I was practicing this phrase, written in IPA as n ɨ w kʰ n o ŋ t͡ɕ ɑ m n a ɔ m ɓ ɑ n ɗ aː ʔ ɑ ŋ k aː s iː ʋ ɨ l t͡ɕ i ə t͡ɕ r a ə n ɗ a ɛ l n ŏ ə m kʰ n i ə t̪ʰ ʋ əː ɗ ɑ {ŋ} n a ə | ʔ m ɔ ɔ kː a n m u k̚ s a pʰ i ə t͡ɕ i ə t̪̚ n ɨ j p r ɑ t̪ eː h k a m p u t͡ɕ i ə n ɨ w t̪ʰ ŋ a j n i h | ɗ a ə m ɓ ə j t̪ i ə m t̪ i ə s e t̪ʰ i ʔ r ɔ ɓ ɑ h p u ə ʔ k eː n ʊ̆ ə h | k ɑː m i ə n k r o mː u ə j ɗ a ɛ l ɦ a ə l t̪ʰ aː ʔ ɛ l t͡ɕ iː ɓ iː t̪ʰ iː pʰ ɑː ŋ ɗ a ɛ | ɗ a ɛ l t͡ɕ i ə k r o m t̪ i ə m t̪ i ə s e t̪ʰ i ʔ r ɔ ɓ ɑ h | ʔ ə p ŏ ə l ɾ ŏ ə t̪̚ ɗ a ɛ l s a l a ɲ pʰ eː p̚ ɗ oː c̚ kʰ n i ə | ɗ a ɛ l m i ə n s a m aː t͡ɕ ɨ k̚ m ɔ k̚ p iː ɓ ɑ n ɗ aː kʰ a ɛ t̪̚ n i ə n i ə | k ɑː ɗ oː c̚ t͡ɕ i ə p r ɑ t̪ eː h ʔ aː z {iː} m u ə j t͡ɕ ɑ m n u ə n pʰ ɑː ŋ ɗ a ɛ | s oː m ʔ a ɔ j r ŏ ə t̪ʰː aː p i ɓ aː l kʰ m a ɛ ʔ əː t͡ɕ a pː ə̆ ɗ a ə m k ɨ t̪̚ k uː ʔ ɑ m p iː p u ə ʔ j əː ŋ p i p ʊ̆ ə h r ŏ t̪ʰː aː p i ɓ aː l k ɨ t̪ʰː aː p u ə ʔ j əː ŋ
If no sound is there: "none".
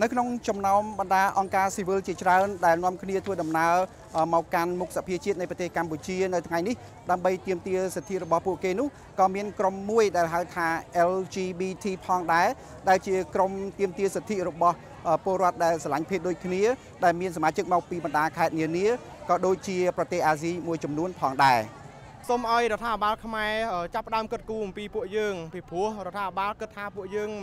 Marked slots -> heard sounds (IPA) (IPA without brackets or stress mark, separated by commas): m, iː